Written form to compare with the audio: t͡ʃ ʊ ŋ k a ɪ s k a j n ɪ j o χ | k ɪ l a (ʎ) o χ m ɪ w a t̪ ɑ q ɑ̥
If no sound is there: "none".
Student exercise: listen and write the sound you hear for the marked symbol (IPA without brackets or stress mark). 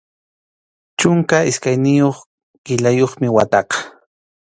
j